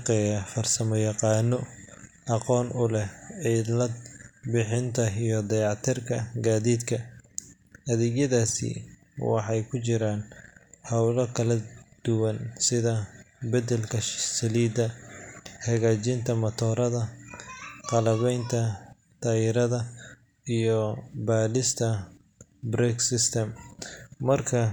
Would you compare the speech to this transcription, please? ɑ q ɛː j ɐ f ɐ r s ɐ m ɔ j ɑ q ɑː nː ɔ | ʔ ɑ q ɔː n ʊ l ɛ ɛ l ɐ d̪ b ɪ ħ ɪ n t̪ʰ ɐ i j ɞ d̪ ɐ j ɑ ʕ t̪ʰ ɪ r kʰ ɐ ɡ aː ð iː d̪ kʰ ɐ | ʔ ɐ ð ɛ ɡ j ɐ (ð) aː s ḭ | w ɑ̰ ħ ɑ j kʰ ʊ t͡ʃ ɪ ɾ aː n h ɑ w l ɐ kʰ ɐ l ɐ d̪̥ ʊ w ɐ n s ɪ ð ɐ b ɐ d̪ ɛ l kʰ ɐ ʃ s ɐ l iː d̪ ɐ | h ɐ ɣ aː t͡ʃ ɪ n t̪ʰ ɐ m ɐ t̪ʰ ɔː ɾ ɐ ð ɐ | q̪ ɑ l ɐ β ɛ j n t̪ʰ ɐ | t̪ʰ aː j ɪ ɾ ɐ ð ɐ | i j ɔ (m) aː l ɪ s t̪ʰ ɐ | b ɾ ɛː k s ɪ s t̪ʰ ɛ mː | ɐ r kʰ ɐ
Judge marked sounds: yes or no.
yes, no

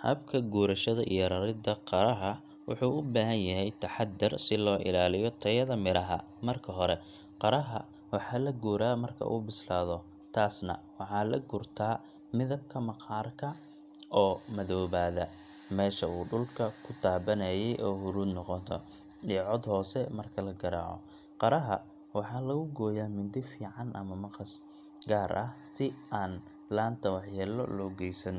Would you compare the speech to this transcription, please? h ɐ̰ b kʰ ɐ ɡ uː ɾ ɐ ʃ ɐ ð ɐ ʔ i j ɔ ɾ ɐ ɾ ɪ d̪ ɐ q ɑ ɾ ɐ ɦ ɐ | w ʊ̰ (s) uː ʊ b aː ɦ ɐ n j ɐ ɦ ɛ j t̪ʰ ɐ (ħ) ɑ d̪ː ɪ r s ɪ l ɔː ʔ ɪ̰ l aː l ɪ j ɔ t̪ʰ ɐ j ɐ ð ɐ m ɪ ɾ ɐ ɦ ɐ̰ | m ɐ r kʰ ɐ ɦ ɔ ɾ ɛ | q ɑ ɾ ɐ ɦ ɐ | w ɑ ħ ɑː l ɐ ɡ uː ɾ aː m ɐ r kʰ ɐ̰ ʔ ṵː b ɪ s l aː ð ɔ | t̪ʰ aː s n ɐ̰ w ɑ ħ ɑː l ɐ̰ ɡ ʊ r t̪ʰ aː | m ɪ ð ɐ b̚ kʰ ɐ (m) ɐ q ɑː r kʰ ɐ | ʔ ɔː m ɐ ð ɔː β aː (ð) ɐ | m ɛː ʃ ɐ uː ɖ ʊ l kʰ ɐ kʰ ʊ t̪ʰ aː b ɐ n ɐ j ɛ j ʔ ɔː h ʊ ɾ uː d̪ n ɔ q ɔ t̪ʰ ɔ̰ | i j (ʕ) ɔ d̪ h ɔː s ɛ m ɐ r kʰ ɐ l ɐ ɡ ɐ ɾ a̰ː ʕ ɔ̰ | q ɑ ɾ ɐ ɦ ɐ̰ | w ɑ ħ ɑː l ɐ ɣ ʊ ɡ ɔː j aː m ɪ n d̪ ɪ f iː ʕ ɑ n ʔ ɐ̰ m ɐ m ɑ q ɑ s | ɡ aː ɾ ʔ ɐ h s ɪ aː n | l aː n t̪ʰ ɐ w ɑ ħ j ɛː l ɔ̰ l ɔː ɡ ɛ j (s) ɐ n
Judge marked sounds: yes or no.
no, yes, yes, yes, yes, yes

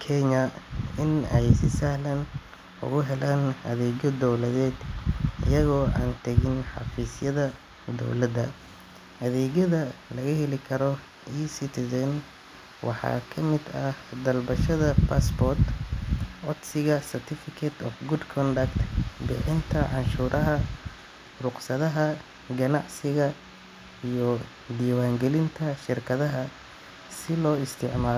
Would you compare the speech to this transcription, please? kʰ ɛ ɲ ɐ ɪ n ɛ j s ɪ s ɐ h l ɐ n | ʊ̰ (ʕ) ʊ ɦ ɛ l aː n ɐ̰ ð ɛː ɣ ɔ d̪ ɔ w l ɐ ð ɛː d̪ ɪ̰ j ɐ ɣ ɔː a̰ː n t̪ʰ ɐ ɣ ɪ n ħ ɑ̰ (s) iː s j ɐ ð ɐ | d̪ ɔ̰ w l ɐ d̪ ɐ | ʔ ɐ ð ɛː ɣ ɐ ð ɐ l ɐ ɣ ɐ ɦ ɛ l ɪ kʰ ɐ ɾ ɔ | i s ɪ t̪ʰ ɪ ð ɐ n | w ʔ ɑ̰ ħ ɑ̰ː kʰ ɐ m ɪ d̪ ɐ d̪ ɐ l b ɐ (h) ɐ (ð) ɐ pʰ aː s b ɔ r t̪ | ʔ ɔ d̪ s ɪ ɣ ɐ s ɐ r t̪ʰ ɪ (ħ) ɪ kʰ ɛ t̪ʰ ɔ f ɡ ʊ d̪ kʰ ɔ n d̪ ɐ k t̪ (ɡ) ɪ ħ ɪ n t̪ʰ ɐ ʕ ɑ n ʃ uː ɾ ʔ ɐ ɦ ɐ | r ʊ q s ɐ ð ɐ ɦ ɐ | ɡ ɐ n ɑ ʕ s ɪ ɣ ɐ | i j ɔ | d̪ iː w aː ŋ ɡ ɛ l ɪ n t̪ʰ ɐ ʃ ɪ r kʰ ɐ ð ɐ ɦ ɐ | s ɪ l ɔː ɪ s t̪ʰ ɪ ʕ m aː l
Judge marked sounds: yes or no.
no, no, no, yes, no, no

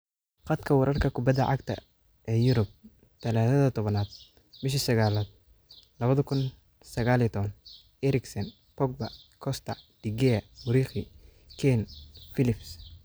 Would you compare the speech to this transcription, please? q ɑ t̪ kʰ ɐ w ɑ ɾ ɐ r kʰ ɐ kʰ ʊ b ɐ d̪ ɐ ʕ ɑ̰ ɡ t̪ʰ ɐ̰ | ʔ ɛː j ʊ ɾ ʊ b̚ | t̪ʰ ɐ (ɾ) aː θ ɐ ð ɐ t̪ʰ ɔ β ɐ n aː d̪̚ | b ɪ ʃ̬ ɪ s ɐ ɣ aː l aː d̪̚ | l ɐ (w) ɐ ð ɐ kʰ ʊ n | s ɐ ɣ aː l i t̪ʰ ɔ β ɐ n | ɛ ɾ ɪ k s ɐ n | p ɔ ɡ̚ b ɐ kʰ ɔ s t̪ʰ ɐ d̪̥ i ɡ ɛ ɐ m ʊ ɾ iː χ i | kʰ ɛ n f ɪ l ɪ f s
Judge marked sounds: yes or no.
no, no

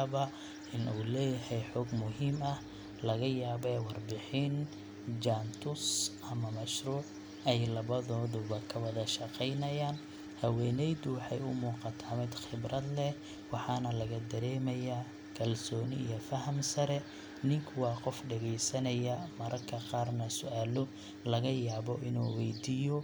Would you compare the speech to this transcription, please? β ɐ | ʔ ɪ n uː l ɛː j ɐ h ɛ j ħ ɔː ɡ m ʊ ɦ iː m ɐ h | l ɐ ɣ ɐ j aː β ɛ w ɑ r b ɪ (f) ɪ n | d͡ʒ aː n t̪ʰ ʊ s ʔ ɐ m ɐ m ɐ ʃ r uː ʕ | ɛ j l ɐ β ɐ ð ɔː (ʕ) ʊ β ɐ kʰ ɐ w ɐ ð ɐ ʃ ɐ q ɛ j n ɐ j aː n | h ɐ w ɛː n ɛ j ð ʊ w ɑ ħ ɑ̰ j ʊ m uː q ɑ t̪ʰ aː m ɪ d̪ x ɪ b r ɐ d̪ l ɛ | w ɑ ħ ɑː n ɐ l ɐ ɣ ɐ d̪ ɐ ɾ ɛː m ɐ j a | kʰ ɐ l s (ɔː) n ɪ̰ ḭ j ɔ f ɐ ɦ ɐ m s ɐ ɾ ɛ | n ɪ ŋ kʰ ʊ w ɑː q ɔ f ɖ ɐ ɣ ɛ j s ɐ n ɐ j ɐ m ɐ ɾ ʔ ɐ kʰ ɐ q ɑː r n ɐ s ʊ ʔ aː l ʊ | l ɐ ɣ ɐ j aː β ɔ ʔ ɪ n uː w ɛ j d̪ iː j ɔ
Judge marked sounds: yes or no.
no, no, yes

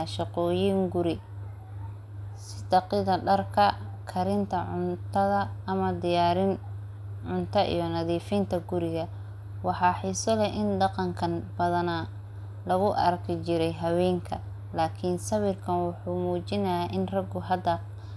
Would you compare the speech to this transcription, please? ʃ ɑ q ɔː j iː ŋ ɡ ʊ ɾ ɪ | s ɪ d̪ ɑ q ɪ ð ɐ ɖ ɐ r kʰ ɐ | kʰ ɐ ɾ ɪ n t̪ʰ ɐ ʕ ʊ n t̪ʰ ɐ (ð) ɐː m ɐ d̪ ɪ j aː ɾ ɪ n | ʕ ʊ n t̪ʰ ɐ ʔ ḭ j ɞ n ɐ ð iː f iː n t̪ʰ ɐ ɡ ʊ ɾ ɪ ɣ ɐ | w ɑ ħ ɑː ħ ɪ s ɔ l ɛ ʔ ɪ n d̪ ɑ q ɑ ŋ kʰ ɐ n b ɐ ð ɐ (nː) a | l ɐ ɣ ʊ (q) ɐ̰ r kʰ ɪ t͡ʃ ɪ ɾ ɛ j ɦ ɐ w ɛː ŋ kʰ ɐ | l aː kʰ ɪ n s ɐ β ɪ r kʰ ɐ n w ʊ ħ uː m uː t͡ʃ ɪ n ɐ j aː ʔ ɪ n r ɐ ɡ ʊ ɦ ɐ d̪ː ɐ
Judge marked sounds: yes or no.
yes, no, no

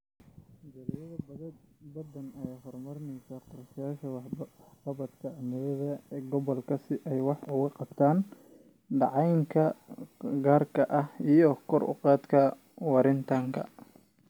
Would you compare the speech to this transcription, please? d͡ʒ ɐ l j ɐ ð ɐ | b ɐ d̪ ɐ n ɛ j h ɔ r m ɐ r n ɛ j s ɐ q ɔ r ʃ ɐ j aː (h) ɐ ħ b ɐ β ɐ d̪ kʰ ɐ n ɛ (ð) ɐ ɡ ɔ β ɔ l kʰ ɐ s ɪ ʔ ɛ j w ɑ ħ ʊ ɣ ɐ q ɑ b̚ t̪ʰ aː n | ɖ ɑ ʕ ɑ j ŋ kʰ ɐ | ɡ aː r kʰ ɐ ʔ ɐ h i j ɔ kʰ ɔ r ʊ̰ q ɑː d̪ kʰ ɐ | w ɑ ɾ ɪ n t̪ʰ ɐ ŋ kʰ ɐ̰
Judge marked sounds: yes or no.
no, yes

